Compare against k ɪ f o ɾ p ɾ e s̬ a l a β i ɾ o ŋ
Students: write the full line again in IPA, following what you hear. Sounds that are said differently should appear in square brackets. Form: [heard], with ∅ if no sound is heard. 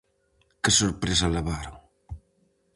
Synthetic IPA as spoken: k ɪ [s] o ɾ p ɾ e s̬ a l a β [a] ɾ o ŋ

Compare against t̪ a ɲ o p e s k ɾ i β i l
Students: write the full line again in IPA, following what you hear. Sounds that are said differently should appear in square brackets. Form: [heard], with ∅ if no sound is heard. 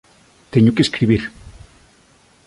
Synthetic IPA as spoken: t̪ [e] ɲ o [k] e s k ɾ i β i [ɾ]

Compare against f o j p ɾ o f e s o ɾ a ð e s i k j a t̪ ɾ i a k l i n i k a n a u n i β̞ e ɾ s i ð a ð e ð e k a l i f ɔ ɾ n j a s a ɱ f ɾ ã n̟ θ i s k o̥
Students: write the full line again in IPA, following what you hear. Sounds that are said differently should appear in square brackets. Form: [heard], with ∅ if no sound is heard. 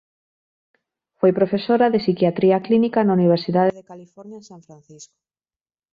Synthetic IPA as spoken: f o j p ɾ o f e s o ɾ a ð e s i k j a t̪ ɾ i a k l i n i k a n a u n i β̞ e ɾ s i ð a ð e ð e k a l i f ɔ ɾ n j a s a ɱ f ɾ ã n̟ θ i s k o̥

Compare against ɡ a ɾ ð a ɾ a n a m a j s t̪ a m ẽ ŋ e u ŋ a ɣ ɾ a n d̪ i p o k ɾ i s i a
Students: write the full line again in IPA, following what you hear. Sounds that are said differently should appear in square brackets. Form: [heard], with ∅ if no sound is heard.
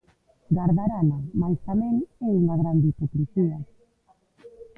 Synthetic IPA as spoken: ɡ a ɾ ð a ɾ a n a m a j s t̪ a m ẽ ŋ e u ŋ a ɣ ɾ a n d̪ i p o k ɾ i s i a

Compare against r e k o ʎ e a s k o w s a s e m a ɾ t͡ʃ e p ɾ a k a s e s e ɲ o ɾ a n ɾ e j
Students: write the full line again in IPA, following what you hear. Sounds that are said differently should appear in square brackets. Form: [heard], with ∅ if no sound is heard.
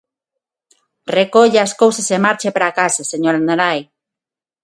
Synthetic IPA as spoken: r e k o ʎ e a s k o w s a s e m a ɾ t͡ʃ e p ɾ a k a s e s e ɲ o ɾ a n ɾ [a] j

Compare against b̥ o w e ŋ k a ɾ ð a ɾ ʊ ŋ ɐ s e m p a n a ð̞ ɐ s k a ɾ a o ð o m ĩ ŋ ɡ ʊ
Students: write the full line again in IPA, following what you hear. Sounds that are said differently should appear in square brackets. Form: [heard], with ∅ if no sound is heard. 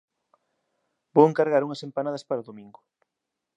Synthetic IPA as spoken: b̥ o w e ŋ k a ɾ [ɣ] a ɾ [u] ŋ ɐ s e m p a n a ð̞ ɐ s [p] a ɾ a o ð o m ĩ ŋ ɡ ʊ

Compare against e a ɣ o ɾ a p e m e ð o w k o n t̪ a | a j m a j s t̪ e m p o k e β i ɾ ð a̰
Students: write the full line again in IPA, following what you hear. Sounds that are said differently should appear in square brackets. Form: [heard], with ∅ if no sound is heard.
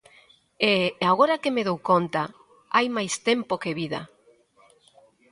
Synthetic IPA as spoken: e a ɣ o ɾ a [k] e m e ð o w k o n t̪ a | a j m a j s t̪ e m p o k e β i [∅] ð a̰

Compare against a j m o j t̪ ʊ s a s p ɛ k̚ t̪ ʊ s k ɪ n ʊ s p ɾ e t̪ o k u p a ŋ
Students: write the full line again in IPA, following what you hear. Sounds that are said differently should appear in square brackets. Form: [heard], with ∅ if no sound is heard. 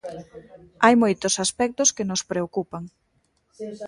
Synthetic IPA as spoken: a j m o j t̪ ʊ s a s p ɛ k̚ t̪ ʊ s k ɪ n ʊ s p ɾ e [∅] o k u p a ŋ

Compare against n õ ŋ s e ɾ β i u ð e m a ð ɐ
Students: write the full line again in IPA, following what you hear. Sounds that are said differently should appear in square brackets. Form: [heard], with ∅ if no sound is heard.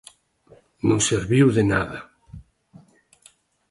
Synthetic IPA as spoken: n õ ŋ s e ɾ β i [w] ð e [n] a ð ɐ

